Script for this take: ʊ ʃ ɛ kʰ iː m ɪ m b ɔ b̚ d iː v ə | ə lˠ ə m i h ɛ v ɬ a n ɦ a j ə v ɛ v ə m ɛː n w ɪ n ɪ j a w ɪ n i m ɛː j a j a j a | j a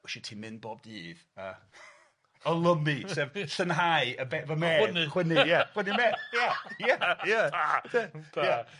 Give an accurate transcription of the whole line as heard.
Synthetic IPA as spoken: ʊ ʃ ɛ tʰ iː m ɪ n b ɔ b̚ d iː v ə | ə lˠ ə m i s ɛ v ɬ ə n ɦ a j ə b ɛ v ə m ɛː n w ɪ n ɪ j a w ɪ n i m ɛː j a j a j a | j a